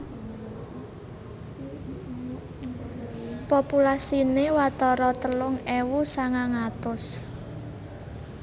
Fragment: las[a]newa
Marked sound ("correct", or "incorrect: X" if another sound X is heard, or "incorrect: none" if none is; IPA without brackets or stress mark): incorrect: i